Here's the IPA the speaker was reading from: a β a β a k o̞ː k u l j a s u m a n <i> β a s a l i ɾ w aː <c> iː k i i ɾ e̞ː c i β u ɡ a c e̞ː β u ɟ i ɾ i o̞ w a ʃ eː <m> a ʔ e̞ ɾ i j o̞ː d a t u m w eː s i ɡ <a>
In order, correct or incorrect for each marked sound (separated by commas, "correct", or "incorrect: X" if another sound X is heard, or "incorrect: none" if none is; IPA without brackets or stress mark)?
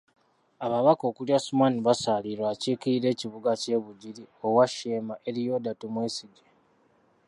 correct, correct, correct, incorrect: e